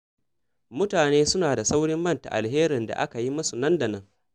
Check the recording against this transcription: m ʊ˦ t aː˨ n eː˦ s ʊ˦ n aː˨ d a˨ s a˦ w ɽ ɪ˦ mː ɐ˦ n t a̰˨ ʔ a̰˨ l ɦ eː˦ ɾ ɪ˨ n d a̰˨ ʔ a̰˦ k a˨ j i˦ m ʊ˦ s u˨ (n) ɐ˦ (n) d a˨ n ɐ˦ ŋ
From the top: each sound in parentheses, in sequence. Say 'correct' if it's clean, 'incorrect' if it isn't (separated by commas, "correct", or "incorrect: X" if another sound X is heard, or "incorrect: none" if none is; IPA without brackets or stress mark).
correct, correct